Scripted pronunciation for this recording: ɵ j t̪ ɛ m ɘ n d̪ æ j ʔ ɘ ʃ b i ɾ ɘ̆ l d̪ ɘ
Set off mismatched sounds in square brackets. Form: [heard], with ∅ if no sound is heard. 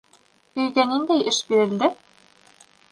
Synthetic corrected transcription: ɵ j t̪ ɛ [n] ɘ n d̪ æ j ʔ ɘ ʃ b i ɾ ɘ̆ l d̪ ɘ